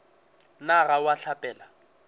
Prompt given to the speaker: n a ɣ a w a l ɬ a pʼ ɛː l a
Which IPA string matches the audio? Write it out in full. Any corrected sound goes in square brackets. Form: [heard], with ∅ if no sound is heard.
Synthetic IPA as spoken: n a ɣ a w a [∅] ɬ a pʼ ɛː l a